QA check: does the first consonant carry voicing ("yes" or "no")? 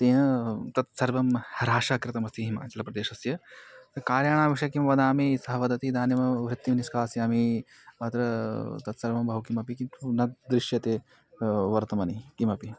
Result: no